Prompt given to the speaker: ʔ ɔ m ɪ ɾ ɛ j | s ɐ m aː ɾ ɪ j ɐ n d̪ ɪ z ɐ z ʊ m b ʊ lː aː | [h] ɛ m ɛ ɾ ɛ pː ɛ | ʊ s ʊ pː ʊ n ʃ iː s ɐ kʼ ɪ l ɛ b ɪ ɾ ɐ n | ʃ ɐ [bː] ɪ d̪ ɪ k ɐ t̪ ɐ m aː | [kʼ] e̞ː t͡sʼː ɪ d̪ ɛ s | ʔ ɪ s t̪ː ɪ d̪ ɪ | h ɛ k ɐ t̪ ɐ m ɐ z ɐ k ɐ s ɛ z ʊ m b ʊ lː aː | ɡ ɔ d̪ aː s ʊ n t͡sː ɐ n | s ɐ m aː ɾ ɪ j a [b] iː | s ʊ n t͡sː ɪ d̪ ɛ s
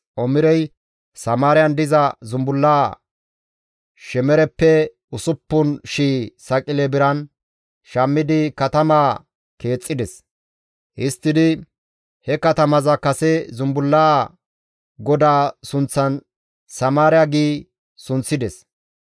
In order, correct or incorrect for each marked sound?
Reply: incorrect, incorrect, incorrect, incorrect

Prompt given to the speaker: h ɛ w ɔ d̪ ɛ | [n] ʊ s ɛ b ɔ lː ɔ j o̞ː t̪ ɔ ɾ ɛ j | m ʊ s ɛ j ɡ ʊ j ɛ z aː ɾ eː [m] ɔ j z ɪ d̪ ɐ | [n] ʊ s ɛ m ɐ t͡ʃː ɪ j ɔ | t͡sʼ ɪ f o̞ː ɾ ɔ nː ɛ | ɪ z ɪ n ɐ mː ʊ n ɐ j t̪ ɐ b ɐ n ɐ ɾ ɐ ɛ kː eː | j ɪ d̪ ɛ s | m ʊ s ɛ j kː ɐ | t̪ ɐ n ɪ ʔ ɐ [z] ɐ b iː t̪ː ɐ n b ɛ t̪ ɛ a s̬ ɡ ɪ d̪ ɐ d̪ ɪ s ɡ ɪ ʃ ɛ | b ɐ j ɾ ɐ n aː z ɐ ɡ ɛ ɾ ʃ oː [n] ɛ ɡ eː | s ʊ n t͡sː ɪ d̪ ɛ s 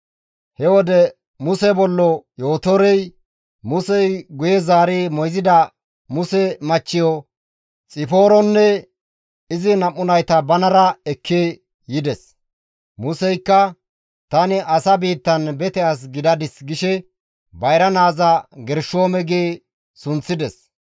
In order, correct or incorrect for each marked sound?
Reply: incorrect, correct, incorrect, incorrect, incorrect

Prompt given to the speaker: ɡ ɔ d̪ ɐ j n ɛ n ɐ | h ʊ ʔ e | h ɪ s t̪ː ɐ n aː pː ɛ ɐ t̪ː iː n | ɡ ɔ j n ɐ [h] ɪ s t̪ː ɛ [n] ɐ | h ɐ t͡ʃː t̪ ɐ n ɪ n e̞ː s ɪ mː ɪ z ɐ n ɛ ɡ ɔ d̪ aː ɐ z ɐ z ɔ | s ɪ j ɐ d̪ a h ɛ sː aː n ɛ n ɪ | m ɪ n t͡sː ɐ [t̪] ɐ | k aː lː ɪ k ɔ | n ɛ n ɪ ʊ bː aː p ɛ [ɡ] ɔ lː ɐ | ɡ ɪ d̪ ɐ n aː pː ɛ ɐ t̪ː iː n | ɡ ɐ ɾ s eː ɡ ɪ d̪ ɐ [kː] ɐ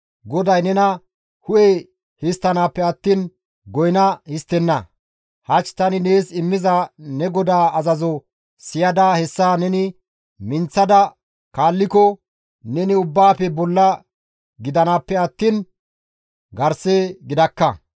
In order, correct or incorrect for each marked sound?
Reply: correct, incorrect, incorrect, incorrect, correct

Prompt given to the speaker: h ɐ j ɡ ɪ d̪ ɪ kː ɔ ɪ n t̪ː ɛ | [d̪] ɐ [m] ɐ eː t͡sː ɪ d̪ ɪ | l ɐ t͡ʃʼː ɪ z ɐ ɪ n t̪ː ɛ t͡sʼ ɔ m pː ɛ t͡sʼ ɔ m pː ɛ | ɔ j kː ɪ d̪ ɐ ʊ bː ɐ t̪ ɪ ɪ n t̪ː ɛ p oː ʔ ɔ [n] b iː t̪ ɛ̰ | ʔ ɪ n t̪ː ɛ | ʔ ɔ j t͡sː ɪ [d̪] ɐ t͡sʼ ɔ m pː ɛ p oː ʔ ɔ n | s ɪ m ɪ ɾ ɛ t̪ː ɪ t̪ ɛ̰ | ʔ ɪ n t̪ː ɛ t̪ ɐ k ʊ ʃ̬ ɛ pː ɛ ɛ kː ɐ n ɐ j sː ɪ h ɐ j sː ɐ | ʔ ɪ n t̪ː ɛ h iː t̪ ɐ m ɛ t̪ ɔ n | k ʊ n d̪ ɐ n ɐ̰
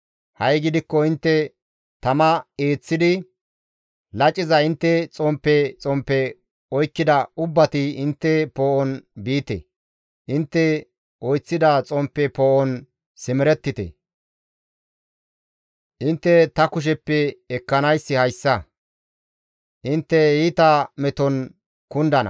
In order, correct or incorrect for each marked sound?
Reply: incorrect, correct, correct, correct

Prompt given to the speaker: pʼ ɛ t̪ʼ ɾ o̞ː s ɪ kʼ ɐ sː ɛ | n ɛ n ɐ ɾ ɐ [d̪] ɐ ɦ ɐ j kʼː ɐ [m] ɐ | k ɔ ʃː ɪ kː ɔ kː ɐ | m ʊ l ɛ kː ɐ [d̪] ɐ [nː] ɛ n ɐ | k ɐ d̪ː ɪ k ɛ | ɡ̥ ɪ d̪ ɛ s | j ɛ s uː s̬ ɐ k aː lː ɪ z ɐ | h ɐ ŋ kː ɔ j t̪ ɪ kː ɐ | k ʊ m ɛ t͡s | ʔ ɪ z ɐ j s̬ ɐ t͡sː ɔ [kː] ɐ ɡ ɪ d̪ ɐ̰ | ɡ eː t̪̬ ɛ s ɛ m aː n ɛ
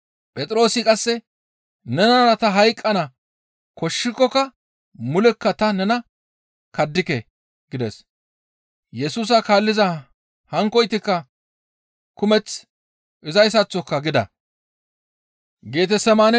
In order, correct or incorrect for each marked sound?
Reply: incorrect, incorrect, incorrect, incorrect, correct

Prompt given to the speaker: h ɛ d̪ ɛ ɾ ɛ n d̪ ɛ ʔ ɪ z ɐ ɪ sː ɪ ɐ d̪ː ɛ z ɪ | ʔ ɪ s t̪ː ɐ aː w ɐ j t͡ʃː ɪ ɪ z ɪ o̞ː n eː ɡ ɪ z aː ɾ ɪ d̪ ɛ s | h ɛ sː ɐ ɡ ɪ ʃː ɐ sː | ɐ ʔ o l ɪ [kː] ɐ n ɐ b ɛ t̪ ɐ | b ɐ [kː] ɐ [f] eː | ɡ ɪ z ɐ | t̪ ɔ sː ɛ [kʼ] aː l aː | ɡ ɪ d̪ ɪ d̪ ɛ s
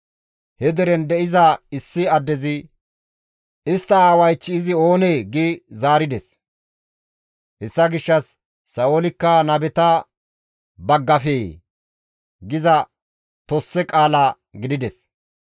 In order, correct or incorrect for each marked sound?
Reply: correct, incorrect, correct, correct

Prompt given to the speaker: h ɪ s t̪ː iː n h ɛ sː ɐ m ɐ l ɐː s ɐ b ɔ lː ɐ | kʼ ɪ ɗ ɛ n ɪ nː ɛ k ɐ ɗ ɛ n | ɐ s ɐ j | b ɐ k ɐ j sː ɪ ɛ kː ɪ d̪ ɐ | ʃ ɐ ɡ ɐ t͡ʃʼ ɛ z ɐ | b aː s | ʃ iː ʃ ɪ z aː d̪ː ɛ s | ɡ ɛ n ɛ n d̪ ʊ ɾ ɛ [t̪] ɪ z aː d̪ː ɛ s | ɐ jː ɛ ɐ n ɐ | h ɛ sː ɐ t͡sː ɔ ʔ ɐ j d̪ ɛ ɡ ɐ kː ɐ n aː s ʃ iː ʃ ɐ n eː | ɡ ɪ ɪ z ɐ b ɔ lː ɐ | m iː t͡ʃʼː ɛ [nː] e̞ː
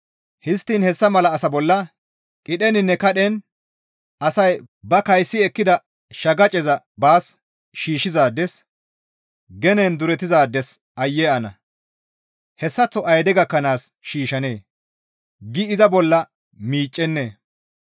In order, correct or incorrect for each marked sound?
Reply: correct, correct

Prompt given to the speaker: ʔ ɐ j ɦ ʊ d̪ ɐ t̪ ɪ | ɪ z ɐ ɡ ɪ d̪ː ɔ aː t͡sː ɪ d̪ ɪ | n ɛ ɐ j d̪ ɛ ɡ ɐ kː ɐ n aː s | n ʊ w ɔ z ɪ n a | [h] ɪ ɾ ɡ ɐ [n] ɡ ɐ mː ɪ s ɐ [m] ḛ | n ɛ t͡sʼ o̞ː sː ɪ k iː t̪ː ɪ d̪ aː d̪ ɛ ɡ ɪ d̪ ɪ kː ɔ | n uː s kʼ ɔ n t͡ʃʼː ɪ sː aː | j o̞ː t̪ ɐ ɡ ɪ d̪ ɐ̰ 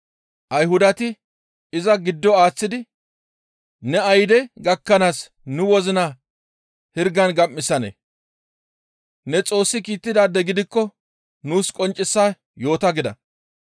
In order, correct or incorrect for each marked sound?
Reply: correct, correct, incorrect

